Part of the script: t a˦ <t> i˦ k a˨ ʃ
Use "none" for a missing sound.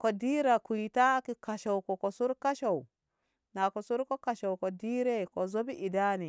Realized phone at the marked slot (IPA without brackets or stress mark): k